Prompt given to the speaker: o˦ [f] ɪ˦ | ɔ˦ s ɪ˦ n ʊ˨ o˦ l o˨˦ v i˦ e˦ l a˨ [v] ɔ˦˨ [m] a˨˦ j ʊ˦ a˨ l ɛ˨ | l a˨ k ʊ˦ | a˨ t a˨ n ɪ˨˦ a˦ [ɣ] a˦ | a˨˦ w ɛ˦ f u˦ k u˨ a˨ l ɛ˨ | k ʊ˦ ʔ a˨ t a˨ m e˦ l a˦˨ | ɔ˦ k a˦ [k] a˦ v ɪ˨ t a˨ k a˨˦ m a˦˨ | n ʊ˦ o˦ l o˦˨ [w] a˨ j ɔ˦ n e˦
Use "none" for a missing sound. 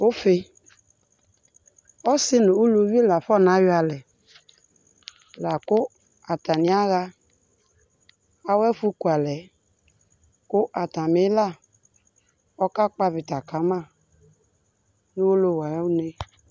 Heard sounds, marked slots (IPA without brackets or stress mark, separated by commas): f, f, n, ɣ, k͡p, w